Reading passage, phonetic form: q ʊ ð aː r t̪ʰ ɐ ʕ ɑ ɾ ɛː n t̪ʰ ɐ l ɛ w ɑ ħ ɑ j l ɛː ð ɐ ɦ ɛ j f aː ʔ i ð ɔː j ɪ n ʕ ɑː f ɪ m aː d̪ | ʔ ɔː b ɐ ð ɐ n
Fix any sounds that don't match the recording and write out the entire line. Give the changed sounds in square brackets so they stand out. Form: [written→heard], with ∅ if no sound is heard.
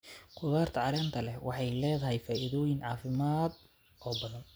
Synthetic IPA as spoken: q ʊ ð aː r t̪ʰ ɐ ʕ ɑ ɾ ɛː n t̪ʰ ɐ l ɛ w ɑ ħ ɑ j l ɛː ð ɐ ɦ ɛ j f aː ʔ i ð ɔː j ɪ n ʕ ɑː f ɪ m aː d̪ | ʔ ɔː b ɐ ð ɐ n